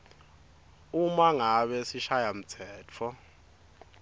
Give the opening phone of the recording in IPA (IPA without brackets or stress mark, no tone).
u